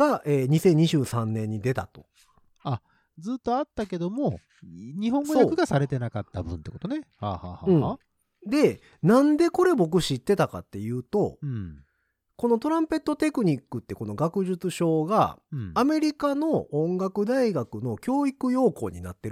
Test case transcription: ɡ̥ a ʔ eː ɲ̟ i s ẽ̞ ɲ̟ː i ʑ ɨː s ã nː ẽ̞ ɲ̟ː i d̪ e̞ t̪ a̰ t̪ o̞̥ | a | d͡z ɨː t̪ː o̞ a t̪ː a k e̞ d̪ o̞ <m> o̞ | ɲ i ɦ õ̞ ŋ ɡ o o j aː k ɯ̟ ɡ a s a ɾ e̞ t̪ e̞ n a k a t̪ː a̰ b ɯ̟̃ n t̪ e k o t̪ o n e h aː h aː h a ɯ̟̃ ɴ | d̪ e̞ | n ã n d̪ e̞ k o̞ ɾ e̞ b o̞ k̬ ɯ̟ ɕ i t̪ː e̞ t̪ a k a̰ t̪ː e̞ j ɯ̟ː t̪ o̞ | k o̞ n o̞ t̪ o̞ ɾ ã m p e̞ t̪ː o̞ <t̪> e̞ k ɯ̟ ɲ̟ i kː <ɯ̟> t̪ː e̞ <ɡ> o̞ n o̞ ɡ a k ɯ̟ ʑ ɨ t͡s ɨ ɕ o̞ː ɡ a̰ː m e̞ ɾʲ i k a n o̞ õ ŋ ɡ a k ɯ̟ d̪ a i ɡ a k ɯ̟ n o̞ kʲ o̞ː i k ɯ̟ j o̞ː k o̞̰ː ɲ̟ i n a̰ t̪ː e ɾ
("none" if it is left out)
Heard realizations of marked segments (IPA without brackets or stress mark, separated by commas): m, t̪, ɯ̟, k